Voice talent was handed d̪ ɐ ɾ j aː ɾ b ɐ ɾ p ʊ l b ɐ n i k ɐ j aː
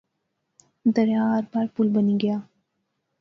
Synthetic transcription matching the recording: d̪ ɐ ɾ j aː ɾ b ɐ ɾ p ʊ l b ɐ n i ɡ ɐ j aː